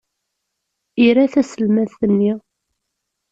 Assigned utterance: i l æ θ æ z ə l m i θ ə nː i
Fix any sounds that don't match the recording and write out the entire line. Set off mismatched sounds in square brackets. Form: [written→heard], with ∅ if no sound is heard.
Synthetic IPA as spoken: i [l→ɾ] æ θ æ [z→s] ə l m [i→æ] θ ə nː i